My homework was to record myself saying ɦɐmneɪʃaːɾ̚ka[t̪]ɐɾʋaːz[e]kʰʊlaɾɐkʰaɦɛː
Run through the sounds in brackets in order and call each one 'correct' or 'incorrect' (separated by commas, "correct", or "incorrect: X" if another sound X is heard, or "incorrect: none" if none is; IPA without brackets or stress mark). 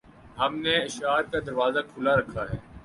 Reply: incorrect: d̪, incorrect: a